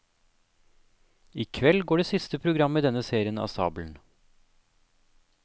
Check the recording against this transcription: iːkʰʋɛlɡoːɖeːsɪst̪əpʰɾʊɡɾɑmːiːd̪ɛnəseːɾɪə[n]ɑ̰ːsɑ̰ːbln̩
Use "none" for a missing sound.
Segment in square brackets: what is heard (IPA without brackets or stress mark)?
n